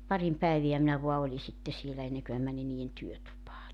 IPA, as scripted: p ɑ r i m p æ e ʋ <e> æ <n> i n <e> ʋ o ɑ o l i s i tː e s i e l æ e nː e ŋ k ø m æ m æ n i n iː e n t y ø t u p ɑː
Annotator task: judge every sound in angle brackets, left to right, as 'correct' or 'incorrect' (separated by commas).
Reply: incorrect, incorrect, incorrect